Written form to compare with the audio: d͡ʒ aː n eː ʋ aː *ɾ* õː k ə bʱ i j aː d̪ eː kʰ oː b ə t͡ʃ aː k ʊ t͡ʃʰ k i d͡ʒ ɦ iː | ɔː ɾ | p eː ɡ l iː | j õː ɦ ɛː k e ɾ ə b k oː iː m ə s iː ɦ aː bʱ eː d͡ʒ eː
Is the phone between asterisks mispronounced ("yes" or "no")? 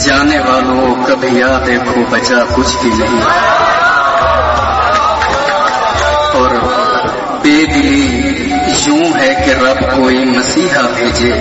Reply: yes